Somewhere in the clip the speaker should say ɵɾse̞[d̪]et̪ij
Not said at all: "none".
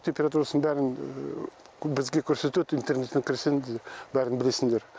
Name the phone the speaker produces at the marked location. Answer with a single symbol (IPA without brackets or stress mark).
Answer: t̪